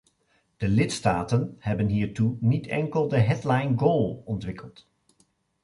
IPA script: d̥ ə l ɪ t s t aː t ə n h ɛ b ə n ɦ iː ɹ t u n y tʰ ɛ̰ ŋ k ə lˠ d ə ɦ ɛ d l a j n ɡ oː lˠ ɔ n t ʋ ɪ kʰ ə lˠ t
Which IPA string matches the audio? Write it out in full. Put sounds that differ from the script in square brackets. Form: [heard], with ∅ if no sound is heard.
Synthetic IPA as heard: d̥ ə l ɪ t s t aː t ə n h ɛ b ə n ɦ iː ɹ t u n [i] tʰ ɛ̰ ŋ k ə lˠ d ə ɦ ɛ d l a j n ɡ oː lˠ ɔ n t ʋ ɪ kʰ ə lˠ t